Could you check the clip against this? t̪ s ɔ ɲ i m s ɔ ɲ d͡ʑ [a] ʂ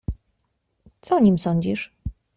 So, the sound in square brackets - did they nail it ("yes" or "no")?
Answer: no